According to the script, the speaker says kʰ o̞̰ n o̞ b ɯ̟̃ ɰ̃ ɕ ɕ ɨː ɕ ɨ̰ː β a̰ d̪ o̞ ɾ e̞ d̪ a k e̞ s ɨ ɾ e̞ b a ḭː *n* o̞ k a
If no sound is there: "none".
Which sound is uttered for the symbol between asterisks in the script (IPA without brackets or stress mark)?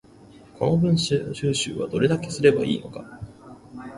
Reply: n